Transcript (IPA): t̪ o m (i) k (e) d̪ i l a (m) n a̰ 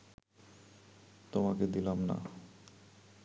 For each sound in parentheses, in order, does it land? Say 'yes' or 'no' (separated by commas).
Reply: no, yes, yes